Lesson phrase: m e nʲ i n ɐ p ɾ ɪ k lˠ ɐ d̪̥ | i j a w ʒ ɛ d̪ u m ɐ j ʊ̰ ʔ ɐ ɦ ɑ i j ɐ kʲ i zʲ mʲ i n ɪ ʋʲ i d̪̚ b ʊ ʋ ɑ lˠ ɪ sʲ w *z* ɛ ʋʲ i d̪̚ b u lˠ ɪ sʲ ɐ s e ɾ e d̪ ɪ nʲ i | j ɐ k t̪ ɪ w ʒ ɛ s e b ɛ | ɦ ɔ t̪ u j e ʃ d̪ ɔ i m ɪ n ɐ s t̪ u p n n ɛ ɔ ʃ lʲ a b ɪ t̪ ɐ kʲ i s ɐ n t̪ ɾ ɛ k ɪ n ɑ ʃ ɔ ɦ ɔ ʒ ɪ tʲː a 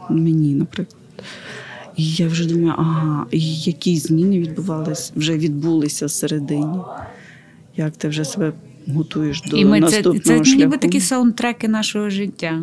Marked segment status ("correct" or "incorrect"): incorrect